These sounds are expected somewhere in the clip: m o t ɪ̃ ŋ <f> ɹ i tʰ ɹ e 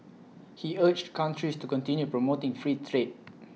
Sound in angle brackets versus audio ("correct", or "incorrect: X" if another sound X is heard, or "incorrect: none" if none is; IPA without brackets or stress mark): correct